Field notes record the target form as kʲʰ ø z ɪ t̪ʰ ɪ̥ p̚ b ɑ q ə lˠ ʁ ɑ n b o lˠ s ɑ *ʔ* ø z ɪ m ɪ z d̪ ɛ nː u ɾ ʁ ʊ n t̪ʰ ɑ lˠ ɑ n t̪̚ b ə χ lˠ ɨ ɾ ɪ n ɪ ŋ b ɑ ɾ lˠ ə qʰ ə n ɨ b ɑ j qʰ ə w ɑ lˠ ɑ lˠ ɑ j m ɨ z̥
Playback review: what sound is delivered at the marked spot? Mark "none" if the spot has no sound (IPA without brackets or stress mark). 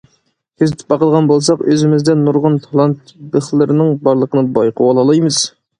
q